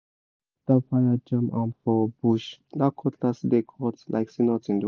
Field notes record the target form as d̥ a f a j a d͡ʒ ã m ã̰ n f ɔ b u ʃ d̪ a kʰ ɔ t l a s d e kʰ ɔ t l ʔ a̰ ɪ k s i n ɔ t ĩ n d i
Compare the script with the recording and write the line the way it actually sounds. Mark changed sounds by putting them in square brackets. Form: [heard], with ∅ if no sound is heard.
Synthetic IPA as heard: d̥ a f a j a d͡ʒ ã m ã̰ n f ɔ b u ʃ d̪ a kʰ ɔ t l a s d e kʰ ɔ t l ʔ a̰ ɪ k s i n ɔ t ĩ n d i